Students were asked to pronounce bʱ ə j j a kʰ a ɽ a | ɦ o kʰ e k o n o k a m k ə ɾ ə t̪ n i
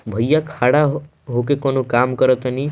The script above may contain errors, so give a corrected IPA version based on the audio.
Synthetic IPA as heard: bʱ ə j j a kʰ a ɽ a | ɦ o k e k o n o k a m k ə ɾ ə t̪ n i